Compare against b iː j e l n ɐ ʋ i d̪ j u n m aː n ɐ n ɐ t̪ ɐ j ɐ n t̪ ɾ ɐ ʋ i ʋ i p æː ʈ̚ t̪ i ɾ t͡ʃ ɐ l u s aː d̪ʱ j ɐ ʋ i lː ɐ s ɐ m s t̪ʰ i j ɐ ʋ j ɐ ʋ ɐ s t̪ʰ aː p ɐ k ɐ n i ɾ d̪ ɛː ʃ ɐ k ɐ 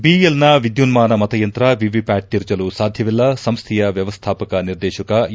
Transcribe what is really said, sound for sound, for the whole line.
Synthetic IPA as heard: b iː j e l n ɐ ʋ i d̪ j u n m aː n ɐ m ɐ t̪ ɐ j ɐ n t̪ ɾ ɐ ʋ i ʋ i p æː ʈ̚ t̪ i ɾ t͡ʃ ɐ l u s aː d̪ʱ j ɐ ʋ i lː ɐ s ɐ m s t̪ʰ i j ɐ ʋ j ɐ ʋ ɐ s t̪ʰ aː p ɐ k ɐ n i ɾ d̪ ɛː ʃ ɐ k ɐ

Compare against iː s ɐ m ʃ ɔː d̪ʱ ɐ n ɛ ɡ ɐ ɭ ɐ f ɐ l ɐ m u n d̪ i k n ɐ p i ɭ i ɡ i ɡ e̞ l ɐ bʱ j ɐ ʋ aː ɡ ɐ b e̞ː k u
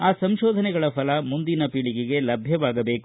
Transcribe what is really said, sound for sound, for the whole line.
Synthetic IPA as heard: aː s ɐ m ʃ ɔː d̪ʱ ɐ n ɛ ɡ ɐ ɭ ɐ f ɐ l ɐ m u n d̪ i n ɐ p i ɭ i ɡ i ɡ e̞ l ɐ bʱ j ɐ ʋ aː ɡ ɐ b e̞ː k u

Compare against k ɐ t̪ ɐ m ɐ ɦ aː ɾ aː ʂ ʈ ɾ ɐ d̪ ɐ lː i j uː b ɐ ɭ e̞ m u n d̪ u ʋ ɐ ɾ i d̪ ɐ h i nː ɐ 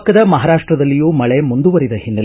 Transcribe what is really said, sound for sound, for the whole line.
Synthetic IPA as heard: k ɐ d̪ ɐ m ɐ ɦ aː ɾ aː ʂ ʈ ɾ ɐ d̪ ɐ lː i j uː m ɐ ɭ e̞ m u n d̪ u ʋ ɐ ɾ i d̪ ɐ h i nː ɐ

